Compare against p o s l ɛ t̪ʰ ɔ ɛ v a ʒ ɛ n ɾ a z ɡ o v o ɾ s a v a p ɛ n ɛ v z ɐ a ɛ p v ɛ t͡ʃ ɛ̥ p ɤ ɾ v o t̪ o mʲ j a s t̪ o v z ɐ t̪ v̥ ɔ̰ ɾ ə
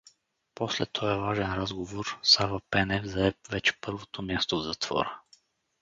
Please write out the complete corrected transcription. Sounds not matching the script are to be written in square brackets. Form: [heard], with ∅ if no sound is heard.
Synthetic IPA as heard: p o s l ɛ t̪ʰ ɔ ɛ v a ʒ ɛ n ɾ a z ɡ o v o ɾ s a v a p ɛ n ɛ v z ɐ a ɛ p v ɛ t͡ʃ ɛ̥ p ɤ ɾ v o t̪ o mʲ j a s t̪ o v z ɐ t̪ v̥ ɔ̰ ɾ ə